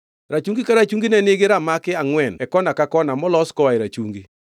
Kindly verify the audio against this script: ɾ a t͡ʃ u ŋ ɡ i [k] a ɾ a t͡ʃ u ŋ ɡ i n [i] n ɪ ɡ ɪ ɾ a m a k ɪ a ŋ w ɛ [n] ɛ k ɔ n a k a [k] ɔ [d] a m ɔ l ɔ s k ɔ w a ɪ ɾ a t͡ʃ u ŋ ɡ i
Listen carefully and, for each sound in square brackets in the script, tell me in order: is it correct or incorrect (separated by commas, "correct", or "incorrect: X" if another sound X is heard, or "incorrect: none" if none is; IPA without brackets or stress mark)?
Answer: correct, incorrect: ɛ, correct, correct, incorrect: n